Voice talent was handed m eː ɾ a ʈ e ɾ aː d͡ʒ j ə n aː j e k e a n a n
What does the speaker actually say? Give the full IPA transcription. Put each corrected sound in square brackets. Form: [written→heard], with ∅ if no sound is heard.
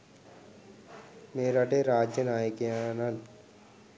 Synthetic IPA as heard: m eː ɾ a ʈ e ɾ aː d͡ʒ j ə n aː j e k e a n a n